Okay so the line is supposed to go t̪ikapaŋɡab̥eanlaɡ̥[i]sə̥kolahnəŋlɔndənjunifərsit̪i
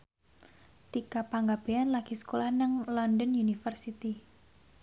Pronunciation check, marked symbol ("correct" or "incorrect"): correct